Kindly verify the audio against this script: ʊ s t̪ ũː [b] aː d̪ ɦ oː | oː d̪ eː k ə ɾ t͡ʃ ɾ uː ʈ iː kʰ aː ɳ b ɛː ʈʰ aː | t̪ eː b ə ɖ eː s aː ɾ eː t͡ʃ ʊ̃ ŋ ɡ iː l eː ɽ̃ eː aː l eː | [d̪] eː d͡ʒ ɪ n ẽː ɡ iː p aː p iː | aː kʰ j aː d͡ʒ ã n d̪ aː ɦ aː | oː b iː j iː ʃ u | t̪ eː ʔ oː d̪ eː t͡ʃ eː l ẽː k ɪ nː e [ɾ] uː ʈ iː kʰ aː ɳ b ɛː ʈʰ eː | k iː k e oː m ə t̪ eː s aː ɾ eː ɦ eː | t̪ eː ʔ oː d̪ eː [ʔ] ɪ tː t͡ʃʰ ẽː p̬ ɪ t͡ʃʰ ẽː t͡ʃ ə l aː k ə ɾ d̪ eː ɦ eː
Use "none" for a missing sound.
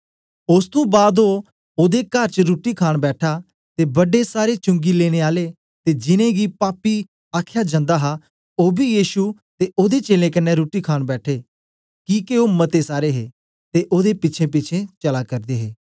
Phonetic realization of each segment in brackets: b, t̪, ɾ, p

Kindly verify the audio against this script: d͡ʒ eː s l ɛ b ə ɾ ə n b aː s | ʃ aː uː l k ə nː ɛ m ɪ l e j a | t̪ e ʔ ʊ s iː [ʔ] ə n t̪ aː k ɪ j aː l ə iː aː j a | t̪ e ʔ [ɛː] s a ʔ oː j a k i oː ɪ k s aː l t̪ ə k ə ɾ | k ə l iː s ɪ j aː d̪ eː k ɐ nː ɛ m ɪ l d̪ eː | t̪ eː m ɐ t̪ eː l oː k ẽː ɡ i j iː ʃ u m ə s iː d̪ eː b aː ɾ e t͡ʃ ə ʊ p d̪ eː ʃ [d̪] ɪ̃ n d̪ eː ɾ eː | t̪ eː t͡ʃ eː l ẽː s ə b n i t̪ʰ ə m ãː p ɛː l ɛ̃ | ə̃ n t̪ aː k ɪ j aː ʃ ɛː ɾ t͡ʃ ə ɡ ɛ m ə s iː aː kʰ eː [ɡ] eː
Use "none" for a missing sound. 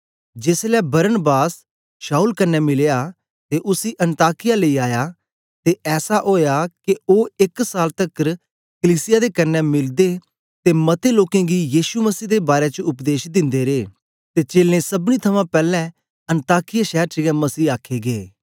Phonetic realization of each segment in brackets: ʔ, ɛː, d̪, ɡ

